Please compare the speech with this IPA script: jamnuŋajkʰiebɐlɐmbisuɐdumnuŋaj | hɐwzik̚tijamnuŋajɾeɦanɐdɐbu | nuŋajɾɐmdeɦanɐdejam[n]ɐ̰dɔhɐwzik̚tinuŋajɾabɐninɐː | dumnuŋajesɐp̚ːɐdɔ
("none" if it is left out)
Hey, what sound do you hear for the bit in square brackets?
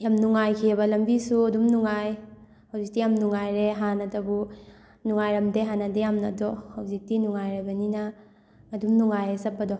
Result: n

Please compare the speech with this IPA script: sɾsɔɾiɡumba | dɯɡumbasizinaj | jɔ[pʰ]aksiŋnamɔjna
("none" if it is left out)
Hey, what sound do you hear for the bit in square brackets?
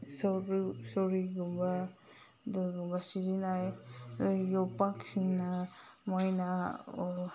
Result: p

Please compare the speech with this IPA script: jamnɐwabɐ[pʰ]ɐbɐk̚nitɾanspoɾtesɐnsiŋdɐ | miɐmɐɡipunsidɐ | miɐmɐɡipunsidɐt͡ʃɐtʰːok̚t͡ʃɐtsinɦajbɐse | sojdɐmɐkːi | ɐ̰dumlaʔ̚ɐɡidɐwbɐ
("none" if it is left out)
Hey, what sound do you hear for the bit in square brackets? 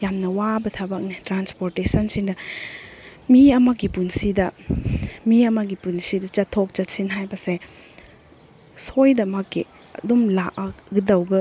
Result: tʰ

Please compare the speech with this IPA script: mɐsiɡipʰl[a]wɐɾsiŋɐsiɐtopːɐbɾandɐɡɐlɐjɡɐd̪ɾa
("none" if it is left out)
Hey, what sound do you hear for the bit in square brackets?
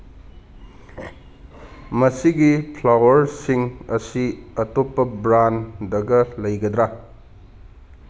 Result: a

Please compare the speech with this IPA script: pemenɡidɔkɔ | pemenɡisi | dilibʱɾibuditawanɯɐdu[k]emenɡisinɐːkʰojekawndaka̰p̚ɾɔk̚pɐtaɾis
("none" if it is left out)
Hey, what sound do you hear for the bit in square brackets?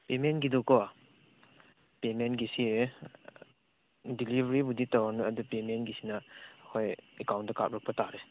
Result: p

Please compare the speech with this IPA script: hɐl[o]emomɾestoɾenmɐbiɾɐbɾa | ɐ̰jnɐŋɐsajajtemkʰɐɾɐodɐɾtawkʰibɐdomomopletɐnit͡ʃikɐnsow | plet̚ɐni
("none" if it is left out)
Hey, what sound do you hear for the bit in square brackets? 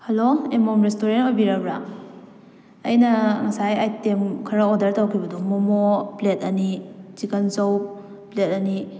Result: o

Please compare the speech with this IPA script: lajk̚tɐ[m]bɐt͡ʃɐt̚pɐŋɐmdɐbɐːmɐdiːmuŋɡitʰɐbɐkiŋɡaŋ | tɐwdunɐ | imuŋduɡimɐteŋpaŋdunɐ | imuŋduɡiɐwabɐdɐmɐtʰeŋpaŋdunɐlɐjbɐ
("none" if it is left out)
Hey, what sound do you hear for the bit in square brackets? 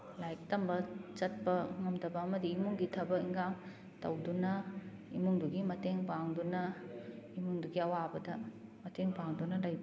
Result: m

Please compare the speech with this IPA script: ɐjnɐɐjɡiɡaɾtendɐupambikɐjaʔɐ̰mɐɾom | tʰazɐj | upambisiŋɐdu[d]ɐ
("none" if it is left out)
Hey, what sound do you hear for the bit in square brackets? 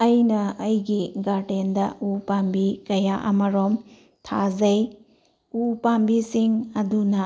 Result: n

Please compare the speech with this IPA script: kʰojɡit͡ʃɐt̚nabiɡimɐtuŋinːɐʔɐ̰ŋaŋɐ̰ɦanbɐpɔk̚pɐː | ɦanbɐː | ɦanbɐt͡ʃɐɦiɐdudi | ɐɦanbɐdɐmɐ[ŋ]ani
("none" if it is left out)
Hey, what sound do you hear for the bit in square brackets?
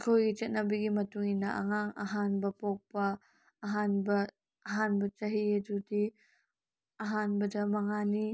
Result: ŋ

